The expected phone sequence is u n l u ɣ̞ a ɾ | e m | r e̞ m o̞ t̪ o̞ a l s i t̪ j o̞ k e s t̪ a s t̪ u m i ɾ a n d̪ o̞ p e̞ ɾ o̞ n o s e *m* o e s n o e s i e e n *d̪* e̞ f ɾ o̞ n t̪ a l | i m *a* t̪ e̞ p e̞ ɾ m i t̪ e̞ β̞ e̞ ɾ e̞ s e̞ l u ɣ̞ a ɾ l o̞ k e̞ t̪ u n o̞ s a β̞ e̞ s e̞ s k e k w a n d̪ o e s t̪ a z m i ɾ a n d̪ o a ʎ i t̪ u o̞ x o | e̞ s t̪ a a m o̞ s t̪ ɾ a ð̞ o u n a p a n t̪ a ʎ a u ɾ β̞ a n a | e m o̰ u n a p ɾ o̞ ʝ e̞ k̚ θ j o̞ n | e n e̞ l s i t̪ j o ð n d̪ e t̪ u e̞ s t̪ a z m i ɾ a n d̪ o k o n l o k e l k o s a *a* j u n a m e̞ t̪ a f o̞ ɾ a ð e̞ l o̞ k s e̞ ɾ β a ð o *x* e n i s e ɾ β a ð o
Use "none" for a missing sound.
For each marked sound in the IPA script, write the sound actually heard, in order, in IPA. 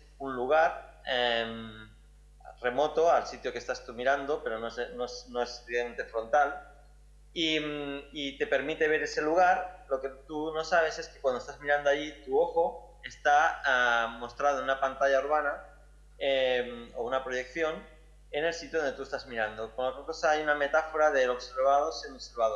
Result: n, t̪, i, a, s

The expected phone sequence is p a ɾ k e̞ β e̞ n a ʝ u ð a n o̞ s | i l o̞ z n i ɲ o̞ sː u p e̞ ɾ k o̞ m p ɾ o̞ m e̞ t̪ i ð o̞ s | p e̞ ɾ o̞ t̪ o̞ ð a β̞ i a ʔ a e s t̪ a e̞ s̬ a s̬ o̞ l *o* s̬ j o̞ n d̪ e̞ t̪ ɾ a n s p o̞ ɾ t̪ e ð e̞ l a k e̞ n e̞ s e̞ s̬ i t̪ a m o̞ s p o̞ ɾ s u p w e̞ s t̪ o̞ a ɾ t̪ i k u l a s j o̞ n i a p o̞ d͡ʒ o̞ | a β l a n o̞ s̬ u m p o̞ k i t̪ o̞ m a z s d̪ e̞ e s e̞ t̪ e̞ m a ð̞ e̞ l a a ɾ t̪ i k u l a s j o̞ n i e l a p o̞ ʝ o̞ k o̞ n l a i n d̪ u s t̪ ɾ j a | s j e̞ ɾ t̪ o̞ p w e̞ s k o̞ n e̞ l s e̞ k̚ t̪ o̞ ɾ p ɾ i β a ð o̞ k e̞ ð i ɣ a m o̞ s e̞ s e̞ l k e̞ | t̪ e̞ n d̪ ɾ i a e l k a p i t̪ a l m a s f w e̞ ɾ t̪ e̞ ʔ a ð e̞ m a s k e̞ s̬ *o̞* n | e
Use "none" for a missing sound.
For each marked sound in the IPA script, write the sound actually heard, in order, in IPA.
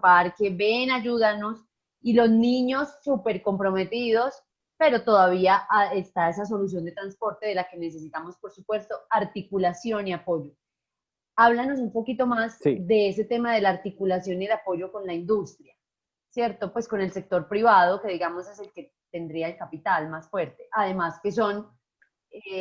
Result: u, o̞

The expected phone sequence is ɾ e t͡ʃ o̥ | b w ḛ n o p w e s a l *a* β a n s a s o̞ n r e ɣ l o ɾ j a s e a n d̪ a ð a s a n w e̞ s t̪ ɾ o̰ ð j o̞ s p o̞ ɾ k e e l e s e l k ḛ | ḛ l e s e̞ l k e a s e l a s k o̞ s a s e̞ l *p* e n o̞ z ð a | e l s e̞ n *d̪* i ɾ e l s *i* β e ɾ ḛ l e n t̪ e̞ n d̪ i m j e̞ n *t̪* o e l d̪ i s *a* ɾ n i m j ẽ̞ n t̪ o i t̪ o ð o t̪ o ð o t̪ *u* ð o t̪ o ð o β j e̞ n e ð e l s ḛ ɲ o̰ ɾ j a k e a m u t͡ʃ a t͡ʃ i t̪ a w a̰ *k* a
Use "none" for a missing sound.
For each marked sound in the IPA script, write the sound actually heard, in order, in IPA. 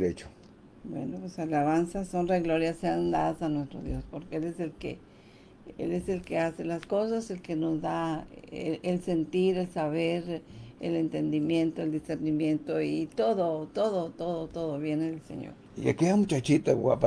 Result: a, k, t̪, a, t̪, e, o, p

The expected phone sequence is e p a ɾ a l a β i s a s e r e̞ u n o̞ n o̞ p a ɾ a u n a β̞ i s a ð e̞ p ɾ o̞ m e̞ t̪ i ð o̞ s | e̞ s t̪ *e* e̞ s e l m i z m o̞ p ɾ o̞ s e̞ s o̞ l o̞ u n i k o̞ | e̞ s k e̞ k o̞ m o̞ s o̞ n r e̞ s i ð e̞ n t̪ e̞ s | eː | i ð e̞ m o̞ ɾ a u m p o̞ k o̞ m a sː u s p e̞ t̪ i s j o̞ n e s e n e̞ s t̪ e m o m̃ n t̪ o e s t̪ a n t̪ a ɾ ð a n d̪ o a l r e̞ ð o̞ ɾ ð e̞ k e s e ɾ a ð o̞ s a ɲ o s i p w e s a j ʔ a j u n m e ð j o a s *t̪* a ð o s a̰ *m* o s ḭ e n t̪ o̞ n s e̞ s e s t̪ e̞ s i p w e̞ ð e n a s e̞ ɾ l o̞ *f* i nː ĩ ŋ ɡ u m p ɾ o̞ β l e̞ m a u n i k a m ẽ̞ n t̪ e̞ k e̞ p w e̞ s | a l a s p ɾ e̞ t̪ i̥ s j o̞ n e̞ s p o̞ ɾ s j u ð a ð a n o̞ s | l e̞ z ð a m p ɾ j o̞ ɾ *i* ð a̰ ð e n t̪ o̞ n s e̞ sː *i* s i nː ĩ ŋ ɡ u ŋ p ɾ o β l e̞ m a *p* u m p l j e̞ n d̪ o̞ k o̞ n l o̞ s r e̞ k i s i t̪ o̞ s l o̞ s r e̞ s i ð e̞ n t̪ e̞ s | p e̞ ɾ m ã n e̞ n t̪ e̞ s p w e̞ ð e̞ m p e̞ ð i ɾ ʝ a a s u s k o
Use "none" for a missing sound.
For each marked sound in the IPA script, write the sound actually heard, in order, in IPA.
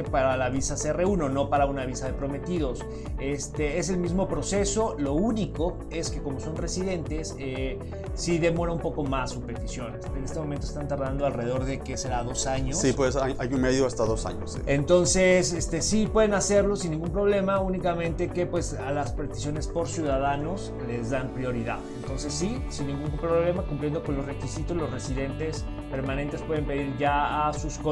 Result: e, t̪, ɲ, s, i, i, k

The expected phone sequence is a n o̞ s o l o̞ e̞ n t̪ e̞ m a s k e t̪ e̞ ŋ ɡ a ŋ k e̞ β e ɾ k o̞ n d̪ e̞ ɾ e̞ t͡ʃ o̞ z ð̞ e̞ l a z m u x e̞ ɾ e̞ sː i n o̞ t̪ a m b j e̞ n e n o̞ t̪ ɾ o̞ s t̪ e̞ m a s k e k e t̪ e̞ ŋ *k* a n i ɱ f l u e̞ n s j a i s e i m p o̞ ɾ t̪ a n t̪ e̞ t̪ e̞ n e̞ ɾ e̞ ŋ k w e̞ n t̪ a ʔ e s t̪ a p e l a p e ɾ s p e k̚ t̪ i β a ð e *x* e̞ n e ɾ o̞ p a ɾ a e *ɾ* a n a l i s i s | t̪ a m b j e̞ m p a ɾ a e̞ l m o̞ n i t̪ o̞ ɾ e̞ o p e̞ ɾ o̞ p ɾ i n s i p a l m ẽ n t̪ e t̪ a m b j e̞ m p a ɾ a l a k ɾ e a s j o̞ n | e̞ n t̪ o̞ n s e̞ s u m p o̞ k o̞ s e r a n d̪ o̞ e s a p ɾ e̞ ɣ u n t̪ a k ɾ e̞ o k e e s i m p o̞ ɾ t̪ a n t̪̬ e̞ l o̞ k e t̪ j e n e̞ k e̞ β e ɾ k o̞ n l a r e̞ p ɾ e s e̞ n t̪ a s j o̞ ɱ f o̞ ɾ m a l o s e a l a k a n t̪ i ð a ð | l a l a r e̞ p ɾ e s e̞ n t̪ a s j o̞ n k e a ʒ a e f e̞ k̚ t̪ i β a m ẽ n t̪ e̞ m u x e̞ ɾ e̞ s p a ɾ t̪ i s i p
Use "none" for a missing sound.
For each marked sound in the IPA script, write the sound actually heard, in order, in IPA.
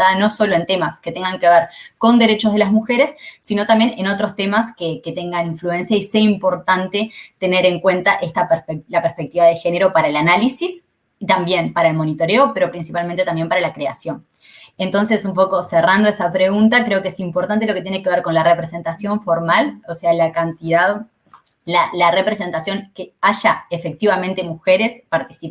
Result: ɡ, x, l

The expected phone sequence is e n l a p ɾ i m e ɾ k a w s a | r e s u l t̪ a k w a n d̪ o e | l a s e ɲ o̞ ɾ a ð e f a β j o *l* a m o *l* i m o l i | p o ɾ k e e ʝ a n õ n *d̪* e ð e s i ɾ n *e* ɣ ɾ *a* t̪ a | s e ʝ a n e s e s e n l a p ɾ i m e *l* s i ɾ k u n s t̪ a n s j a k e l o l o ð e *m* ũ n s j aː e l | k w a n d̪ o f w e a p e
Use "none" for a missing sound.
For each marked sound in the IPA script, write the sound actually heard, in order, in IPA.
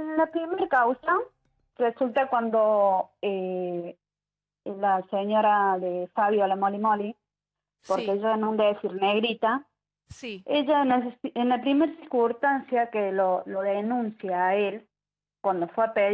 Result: l, l, d̪, e, i, ɾ, n

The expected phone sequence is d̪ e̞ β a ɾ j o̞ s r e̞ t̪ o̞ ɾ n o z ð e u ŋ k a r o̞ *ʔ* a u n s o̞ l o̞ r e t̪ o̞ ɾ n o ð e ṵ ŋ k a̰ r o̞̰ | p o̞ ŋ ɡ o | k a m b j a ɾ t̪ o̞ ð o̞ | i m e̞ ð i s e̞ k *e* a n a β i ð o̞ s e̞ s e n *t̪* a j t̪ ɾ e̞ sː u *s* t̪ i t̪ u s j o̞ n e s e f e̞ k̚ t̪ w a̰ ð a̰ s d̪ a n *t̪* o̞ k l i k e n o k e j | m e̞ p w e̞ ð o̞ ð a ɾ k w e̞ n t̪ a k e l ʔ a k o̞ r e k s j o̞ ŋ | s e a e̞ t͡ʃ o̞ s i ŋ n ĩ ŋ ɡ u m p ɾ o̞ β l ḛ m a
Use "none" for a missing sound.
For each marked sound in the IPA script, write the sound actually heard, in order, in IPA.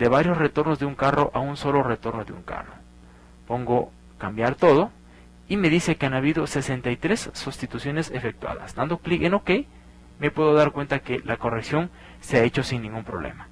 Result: ʔ, e, t̪, s, d̪

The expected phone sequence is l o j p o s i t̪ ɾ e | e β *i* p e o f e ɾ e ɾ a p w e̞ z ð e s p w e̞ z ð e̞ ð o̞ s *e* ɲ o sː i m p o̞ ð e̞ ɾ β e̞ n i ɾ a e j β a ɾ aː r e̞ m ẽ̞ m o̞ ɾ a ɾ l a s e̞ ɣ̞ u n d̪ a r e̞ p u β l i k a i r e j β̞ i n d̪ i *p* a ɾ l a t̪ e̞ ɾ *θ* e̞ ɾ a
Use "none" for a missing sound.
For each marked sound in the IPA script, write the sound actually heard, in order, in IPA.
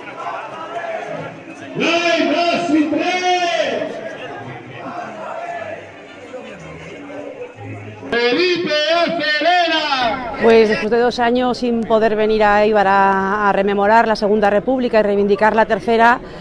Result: i, a, k, θ

